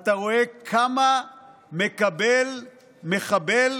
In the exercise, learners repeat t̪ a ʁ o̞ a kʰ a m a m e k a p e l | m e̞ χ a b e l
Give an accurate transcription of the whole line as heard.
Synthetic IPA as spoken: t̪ a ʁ o̞ e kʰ a m a m e k a b e l | m e̞ χ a b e l